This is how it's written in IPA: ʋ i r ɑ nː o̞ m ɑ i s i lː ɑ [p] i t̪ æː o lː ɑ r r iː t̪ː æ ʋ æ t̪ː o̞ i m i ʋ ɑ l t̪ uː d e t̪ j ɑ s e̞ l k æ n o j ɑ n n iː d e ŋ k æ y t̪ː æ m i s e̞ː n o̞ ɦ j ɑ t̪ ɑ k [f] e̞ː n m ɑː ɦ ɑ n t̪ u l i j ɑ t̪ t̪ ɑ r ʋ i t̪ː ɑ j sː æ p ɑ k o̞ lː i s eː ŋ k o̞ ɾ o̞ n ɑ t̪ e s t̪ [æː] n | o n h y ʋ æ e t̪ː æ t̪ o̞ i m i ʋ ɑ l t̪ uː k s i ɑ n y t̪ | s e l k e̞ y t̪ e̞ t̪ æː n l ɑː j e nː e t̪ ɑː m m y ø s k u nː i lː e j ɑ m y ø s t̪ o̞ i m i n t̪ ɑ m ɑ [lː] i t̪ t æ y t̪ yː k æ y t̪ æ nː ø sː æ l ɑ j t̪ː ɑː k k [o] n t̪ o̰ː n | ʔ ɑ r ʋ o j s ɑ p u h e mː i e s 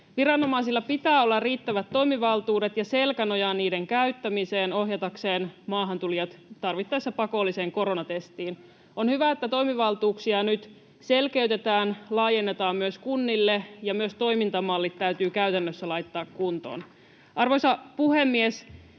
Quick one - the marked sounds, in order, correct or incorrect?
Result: correct, incorrect, incorrect, correct, incorrect

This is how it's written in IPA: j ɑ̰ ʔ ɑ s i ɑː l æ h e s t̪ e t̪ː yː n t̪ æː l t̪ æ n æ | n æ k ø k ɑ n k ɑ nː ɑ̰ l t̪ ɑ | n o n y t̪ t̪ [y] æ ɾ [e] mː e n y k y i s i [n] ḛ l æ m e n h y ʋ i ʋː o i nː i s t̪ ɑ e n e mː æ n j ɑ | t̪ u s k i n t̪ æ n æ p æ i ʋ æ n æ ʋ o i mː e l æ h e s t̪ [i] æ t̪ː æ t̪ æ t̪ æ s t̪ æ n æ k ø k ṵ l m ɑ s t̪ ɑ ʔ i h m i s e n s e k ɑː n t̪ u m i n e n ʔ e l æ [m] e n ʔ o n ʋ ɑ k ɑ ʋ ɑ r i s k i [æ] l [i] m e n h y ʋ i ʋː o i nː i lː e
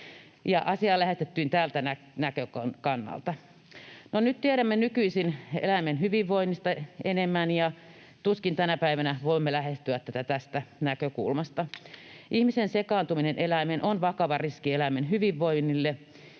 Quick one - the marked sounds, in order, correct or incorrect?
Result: incorrect, incorrect, correct, incorrect, correct, incorrect, incorrect

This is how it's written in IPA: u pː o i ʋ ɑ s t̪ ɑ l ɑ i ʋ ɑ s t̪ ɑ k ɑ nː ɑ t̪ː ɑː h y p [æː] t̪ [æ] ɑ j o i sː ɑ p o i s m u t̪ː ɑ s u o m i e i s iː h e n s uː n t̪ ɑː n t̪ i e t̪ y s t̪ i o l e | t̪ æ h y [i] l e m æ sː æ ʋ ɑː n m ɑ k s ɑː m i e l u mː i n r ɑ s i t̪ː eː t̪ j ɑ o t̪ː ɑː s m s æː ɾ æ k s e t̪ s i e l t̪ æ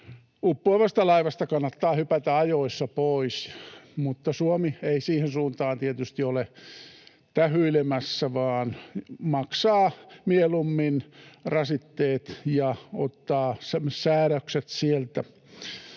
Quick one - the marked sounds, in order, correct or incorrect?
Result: incorrect, correct, correct

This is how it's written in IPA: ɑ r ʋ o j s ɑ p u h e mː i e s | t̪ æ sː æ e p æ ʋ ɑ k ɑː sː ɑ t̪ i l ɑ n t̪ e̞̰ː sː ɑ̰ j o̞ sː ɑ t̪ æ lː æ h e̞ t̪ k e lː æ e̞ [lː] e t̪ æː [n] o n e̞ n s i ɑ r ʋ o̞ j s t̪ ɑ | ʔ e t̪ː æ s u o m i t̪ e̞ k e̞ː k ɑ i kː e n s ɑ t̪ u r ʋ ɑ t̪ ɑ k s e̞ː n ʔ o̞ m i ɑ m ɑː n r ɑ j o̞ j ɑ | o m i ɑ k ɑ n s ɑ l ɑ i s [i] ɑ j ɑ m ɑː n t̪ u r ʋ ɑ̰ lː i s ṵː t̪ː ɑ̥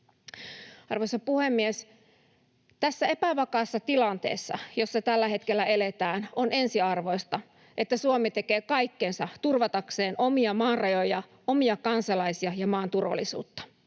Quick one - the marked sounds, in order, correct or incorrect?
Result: incorrect, correct, correct

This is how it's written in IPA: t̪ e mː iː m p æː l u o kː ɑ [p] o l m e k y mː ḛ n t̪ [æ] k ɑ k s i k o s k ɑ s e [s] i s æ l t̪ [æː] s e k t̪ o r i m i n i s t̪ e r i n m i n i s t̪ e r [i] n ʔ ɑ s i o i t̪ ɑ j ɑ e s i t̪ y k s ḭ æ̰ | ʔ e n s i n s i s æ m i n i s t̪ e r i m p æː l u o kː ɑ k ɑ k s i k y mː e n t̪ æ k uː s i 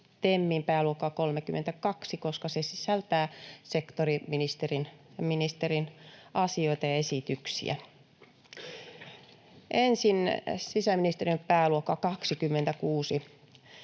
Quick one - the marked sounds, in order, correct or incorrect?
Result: incorrect, correct, correct, correct, correct

